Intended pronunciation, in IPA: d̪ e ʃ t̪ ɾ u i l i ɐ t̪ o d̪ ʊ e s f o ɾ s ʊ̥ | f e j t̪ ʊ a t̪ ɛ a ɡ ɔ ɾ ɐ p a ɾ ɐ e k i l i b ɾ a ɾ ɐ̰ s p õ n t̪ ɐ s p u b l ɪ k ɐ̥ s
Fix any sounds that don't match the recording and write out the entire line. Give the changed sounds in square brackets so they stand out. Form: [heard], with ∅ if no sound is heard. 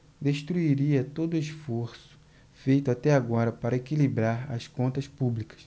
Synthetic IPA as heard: d̪ e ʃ t̪ ɾ u i [ɾ] i ɐ t̪ o d̪ ʊ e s f o ɾ s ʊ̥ | f e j t̪ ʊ a t̪ ɛ a ɡ ɔ ɾ ɐ p a ɾ ɐ e k i l i b ɾ a ɾ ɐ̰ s [k] õ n t̪ ɐ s p u b l [i] k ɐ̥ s

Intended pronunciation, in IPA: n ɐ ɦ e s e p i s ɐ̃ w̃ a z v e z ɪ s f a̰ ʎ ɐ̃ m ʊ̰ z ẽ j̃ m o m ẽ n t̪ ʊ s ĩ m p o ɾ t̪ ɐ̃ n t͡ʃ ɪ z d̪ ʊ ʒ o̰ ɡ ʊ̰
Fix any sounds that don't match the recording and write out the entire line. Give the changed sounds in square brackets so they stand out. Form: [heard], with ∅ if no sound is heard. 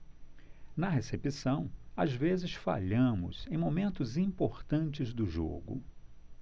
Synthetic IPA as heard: n ɐ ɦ e s e p i s ɐ̃ w̃ a z v e z ɪ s f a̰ ʎ ɐ̃ m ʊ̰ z ẽ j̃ m o m ẽ n t̪ ʊ [z] ĩ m p o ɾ t̪ ɐ̃ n t͡ʃ ɪ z d̪ ʊ ʒ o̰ ɡ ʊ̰

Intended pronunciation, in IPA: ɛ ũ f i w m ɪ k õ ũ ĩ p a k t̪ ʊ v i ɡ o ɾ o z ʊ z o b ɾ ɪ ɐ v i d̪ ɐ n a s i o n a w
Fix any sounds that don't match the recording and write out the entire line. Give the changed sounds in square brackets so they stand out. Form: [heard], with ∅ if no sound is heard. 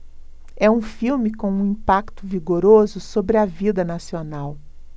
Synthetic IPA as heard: ɛ ũ f i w m ɪ k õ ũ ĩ p a k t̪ ʊ v i ɡ o ɾ o z ʊ [s] o b ɾ ɪ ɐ v i d̪ ɐ n a s i o n a w

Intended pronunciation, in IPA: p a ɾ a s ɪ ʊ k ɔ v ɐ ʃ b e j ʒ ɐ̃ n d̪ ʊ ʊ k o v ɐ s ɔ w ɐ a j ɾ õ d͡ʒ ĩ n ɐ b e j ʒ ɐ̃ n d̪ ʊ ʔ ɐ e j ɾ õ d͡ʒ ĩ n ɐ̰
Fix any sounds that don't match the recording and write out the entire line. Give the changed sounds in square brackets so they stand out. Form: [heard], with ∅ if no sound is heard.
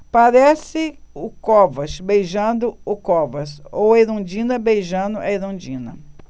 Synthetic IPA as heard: p a ɾ [ɛ] s ɪ ʊ k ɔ v ɐ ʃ b e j ʒ ɐ̃ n d̪ ʊ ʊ k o v ɐ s [o] w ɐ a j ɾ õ d͡ʒ ĩ n ɐ b e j ʒ ɐ̃ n d̪ ʊ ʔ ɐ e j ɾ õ d͡ʒ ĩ n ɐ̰

